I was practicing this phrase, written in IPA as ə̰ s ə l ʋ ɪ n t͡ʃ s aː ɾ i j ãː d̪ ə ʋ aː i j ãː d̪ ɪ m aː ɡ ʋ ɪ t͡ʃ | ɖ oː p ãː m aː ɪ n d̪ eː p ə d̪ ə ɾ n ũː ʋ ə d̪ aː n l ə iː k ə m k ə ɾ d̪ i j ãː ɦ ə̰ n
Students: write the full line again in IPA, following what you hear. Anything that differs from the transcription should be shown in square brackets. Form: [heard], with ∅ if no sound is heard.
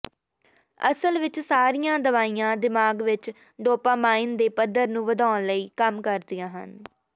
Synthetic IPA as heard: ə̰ s ə l ʋ ɪ [∅] t͡ʃ s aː ɾ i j ãː d̪ ə ʋ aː i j ãː d̪ ɪ m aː ɡ ʋ ɪ t͡ʃ | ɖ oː p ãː m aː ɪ n d̪ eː p ə d̪ ə ɾ n ũː ʋ ə d̪ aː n l ə iː k ə m k ə ɾ d̪ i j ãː ɦ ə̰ n